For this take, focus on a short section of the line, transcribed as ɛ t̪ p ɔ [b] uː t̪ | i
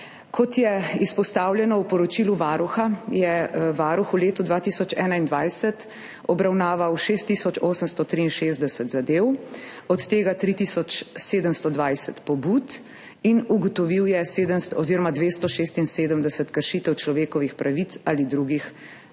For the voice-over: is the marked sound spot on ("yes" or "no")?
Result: yes